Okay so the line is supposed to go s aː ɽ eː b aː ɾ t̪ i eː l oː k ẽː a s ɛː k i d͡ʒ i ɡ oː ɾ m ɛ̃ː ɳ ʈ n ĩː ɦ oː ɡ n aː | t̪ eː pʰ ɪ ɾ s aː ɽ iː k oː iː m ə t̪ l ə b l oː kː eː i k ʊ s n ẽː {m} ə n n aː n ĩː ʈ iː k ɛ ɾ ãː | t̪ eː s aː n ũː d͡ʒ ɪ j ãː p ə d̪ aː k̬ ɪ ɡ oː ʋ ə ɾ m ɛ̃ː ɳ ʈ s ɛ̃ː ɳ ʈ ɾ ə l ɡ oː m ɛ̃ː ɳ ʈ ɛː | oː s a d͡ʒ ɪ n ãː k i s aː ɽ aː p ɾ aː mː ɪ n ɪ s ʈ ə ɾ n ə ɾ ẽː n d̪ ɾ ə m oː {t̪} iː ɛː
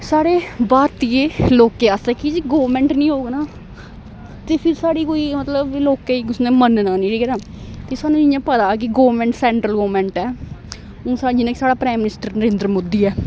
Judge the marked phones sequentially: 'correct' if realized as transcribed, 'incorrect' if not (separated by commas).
correct, incorrect